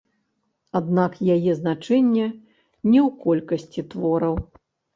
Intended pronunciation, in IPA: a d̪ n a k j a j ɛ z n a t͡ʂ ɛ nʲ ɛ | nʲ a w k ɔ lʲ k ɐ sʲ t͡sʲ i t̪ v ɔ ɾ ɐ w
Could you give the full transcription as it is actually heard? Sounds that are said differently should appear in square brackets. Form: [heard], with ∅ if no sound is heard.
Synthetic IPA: a d̪ n a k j a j ɛ z n a t͡ʂ ɛ [nʲː] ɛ | nʲ [ɛ] w k ɔ lʲ k ɐ sʲ t͡sʲ i t̪ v ɔ ɾ ɐ w